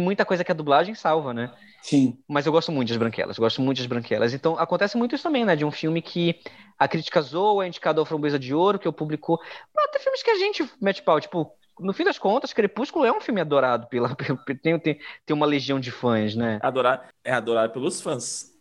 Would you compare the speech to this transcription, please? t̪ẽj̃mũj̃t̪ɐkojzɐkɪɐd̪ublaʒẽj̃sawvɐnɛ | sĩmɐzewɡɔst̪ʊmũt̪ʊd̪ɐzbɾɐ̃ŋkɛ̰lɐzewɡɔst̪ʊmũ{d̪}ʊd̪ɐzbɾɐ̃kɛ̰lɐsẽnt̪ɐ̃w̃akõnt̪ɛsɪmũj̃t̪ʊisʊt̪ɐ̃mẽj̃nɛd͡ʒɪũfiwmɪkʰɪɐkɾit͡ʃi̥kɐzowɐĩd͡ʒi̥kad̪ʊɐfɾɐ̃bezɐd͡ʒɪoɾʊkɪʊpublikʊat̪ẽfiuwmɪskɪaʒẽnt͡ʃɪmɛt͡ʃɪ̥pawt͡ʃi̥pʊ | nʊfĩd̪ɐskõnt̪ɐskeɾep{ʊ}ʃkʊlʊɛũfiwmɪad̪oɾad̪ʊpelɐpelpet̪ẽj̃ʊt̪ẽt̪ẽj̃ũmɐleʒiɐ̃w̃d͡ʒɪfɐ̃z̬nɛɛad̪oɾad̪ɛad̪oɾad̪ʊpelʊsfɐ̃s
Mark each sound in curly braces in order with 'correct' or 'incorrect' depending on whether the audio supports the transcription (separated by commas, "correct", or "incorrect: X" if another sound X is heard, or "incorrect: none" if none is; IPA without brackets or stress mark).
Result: incorrect: t̪, incorrect: u